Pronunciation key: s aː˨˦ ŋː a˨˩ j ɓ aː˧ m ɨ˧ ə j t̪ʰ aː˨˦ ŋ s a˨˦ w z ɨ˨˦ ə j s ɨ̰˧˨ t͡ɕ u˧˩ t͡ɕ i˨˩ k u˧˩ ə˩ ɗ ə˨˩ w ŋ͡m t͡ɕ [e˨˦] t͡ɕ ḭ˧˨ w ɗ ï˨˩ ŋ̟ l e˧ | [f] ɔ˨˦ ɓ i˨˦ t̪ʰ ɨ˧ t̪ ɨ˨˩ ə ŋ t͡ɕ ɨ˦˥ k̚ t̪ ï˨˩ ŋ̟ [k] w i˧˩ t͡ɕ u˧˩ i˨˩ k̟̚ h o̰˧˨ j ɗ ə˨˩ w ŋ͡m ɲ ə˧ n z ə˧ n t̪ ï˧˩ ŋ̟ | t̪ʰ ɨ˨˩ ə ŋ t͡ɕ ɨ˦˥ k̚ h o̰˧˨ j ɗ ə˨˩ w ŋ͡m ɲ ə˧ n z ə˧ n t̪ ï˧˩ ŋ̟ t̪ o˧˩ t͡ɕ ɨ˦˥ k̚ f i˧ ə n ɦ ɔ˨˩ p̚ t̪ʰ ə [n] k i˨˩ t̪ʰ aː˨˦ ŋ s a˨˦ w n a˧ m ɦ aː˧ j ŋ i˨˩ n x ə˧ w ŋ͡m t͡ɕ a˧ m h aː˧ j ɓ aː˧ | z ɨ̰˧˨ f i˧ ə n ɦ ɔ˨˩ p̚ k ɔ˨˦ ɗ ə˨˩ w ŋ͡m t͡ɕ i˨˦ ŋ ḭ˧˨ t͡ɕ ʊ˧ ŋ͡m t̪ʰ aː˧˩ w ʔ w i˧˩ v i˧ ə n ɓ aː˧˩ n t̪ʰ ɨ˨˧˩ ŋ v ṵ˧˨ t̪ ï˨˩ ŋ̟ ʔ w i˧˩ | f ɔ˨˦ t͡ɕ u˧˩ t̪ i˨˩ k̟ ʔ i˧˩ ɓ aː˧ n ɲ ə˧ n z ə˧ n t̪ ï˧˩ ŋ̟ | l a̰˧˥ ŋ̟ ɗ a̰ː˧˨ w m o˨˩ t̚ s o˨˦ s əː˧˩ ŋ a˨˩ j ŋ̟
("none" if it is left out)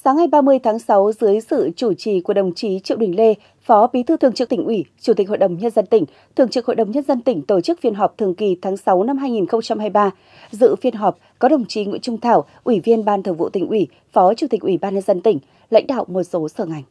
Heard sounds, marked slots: i˨˦, f, ʔ, ŋ

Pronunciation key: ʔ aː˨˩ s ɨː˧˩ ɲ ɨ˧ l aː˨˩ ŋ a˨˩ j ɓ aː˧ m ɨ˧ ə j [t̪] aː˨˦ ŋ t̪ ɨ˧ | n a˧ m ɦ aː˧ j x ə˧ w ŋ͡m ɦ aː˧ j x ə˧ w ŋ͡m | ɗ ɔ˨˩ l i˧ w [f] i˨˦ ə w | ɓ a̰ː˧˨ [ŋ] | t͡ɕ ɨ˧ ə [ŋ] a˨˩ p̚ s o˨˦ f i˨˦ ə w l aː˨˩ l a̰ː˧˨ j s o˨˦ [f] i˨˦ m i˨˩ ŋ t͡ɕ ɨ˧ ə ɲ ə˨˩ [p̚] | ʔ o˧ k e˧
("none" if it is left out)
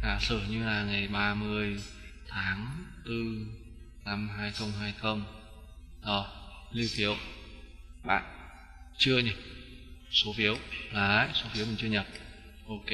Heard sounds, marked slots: t̪ʰ, f, n, ɲ, f, p̚

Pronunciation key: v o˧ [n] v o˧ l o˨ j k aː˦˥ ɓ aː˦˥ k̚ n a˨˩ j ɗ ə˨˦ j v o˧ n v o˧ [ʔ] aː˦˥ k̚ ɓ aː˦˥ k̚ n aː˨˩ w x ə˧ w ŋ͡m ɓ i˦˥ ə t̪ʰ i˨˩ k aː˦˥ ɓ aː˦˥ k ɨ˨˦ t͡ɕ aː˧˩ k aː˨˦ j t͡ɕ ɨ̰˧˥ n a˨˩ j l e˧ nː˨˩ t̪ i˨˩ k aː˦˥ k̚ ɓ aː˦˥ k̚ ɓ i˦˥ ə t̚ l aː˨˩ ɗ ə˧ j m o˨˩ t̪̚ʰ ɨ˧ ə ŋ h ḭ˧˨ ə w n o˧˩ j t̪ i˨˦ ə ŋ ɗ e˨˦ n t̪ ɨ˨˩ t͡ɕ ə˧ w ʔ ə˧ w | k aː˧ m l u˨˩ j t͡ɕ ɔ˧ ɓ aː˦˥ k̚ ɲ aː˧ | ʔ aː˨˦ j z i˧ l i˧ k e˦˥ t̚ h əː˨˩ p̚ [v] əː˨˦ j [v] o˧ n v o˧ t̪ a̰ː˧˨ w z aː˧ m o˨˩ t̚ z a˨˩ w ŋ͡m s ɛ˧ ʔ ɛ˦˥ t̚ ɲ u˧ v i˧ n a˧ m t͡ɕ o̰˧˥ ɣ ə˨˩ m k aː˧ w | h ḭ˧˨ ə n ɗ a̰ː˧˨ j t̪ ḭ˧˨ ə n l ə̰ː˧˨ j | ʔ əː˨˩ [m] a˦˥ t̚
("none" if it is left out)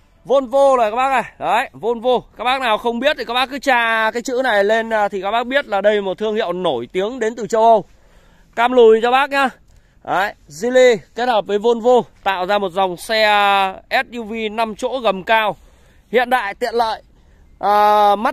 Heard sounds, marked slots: n, k, v, v, m

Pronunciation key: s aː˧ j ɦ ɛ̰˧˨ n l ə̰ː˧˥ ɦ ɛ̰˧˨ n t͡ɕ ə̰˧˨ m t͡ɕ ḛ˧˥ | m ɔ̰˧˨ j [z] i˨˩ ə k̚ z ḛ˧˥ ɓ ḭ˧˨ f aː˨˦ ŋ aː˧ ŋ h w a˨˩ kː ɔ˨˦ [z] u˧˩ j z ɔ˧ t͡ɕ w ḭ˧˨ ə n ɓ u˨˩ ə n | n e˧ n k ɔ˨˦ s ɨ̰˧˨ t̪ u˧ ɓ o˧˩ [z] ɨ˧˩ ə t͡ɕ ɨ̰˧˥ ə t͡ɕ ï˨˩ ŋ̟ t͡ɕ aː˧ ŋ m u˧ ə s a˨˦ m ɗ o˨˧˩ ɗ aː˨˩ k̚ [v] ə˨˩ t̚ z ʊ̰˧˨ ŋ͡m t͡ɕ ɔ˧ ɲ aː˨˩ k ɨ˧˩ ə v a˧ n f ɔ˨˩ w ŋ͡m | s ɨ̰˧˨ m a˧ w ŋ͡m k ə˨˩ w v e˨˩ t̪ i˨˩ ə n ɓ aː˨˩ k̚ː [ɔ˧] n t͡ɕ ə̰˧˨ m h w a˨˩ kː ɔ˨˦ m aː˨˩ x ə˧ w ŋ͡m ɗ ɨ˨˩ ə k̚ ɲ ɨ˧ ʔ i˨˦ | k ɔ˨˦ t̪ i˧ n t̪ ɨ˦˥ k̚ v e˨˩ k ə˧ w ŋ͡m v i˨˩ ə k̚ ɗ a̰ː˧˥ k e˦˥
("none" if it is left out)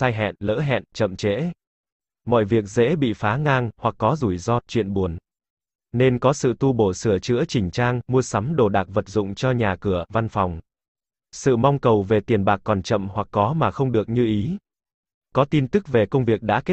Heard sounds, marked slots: v, z, s, v, ɔ˨˩

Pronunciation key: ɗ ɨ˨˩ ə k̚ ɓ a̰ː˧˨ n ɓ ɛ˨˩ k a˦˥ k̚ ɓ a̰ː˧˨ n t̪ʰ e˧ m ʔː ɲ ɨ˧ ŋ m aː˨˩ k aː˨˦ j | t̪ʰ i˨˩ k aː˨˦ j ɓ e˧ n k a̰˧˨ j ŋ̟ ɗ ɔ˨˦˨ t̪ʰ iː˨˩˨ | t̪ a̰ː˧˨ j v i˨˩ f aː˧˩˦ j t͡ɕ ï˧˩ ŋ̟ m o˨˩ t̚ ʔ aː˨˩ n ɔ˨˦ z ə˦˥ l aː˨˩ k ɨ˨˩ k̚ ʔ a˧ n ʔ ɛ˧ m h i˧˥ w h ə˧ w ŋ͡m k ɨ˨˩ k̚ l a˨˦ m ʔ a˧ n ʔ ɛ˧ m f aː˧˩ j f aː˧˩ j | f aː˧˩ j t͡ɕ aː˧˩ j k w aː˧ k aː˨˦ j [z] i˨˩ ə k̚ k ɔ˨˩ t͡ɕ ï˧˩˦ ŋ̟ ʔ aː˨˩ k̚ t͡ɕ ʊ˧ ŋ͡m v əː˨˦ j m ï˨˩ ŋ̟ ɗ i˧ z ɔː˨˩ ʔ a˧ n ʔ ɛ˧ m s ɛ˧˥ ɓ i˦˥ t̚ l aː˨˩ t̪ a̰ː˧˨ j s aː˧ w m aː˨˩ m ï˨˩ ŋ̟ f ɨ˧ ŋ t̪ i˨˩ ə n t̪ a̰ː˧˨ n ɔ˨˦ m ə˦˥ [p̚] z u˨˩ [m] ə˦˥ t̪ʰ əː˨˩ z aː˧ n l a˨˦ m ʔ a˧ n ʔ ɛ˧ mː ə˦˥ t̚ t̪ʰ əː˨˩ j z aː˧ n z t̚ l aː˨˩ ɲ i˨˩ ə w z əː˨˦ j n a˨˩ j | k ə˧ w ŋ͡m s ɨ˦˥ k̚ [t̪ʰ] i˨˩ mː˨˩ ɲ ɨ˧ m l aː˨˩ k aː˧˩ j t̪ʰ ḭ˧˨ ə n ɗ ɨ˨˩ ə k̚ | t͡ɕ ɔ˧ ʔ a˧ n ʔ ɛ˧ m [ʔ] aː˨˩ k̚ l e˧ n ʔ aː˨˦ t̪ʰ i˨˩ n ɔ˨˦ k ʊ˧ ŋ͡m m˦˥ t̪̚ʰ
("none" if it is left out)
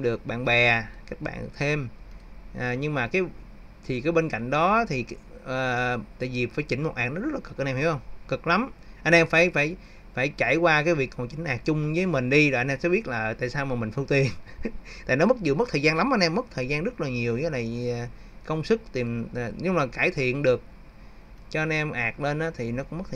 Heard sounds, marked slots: v, t̚, m, t̪, ʔ

